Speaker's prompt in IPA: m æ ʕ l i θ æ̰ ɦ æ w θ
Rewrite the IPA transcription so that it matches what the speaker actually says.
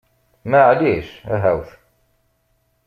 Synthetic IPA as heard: m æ ʕ l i ʃ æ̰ ɦ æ w θ